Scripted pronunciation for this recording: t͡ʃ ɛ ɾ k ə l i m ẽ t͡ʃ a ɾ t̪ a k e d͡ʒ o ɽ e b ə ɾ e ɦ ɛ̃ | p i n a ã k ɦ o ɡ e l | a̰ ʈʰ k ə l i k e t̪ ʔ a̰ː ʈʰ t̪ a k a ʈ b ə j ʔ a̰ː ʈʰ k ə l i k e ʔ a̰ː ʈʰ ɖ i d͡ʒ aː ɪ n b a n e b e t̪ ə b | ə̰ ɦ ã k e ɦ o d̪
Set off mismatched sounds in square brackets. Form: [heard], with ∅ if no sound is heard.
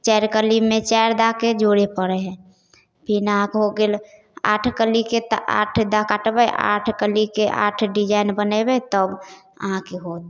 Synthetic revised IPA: t͡ʃ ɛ ɾ k ə l i m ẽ t͡ʃ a ɾ [d̪] a k e d͡ʒ o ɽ e [p] ə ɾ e ɦ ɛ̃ | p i n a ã k ɦ o ɡ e l | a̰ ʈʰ k ə l i k e t̪ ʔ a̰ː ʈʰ [d̪] a k a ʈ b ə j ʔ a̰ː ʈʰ k ə l i k e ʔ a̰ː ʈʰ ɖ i d͡ʒ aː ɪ n b [ə] n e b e t̪ ə b | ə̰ ɦ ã k e ɦ o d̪